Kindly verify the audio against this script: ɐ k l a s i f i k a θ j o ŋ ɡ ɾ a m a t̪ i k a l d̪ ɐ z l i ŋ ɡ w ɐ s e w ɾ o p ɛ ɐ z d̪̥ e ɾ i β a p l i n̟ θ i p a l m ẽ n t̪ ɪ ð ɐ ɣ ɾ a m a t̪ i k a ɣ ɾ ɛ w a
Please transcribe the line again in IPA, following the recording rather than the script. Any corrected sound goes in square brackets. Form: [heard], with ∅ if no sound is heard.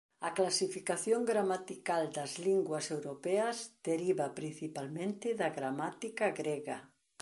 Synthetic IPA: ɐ k l a s i f i k a θ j o ŋ ɡ ɾ a m a t̪ i k a l d̪ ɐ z l i ŋ ɡ w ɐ s e w ɾ o p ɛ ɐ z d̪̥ e ɾ i β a p [ɾ] i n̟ θ i p a l m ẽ n t̪ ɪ ð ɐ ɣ ɾ a m a t̪ i k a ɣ ɾ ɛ [ɣ] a